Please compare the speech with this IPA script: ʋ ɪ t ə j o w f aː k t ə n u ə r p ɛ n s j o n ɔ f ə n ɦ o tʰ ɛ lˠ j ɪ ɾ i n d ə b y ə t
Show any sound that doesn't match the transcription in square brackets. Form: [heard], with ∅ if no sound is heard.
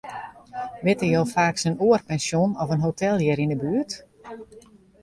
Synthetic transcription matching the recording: ʋ ɪ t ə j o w f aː k [s] ə n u ə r p ɛ n s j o n ɔ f ə n ɦ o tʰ ɛ lˠ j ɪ ɾ i n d ə b y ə t